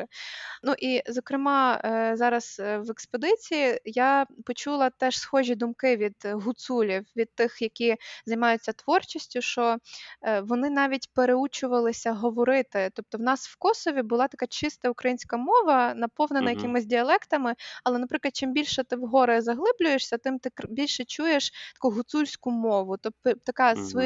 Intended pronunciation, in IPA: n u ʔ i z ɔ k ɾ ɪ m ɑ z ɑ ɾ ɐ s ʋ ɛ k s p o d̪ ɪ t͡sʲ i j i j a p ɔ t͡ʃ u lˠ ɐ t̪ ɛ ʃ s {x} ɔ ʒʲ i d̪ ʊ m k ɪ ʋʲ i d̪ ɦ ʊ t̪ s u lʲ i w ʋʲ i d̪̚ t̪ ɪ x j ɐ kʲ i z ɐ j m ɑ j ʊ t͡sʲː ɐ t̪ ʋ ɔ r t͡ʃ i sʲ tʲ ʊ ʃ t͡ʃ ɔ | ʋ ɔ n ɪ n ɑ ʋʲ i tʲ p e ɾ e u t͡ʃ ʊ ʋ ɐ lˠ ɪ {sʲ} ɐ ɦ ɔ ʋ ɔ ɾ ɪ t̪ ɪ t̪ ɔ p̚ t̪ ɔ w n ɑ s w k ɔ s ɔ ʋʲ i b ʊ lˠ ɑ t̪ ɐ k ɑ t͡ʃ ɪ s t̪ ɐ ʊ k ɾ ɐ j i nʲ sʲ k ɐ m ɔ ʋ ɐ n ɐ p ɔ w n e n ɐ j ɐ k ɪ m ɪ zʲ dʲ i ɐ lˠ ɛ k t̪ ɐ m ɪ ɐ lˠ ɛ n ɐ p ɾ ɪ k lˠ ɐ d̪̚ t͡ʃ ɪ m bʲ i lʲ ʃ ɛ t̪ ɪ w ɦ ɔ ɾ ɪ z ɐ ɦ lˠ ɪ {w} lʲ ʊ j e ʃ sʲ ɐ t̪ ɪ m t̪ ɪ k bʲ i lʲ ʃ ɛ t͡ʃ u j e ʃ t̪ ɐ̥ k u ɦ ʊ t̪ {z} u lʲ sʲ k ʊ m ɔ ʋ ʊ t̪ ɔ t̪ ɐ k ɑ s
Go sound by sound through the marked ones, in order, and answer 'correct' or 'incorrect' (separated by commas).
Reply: correct, correct, incorrect, incorrect